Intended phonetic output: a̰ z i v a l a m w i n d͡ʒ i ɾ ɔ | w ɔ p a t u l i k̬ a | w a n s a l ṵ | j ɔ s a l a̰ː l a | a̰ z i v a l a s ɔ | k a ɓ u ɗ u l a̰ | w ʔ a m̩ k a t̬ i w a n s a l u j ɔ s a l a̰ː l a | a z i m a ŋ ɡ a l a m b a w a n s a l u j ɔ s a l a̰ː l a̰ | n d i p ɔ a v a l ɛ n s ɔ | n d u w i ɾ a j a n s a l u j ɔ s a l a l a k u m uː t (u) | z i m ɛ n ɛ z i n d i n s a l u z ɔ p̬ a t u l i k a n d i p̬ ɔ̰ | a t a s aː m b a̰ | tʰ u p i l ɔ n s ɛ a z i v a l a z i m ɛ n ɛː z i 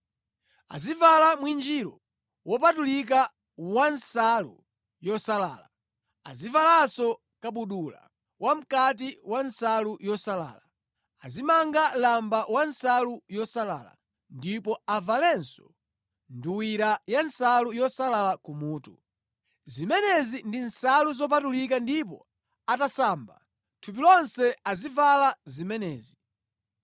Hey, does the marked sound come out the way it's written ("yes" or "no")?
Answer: yes